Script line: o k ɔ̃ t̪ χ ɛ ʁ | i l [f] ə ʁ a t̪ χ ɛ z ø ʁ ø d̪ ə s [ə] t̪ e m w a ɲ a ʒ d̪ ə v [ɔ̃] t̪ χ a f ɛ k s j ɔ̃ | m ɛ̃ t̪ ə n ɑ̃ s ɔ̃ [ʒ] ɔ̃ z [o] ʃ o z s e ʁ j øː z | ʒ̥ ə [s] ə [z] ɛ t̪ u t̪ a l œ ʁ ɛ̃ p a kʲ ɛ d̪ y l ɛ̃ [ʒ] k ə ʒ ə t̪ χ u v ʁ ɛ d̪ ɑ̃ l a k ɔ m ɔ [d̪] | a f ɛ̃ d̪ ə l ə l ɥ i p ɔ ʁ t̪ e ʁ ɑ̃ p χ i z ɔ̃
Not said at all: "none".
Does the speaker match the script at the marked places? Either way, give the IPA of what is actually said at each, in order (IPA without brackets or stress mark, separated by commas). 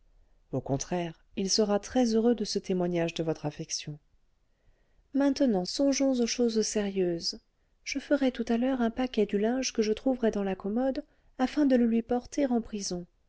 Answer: s, ə, ɔ, ʒ, o, f, ʁ, ʒ, d̪